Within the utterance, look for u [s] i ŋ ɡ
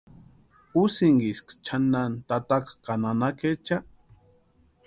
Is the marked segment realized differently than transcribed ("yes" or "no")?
no